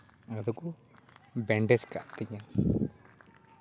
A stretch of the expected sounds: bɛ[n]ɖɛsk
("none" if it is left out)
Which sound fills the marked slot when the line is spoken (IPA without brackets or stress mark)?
ɳ